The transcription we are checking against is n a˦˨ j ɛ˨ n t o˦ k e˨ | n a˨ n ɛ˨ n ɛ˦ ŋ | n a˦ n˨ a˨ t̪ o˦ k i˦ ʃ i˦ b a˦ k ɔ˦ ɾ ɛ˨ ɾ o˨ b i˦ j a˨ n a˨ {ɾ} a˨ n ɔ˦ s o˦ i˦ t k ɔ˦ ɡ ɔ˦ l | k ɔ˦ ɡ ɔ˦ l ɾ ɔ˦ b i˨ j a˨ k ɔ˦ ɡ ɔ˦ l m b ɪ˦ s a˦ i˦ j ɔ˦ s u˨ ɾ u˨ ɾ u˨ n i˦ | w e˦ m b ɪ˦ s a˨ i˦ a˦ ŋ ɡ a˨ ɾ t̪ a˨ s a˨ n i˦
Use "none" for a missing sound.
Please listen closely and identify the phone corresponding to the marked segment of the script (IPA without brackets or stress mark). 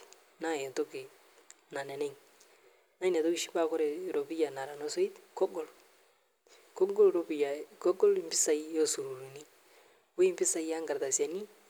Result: ɾ